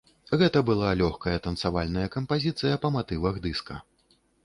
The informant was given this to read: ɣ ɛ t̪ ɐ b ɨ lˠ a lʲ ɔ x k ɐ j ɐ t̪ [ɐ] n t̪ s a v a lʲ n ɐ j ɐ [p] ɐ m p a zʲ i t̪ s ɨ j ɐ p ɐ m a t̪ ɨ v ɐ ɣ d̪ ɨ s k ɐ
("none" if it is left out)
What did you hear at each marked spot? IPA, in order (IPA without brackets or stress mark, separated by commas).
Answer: ɐ, k